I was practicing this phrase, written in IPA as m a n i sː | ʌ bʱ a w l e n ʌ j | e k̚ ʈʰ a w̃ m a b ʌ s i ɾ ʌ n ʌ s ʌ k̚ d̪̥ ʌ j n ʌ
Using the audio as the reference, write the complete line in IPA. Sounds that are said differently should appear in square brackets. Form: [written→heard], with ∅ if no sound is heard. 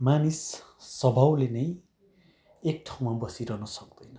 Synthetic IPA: m a n i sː | ʌ bʱ a w l e n ʌ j | e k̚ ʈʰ a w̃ m a b ʌ s i ɾ ʌ n ʌ s ʌ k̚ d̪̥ ʌ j n ʌ